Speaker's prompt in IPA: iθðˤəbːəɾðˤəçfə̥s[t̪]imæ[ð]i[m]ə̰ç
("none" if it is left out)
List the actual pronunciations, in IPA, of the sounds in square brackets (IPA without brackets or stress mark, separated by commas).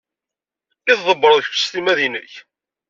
t̪, ð, n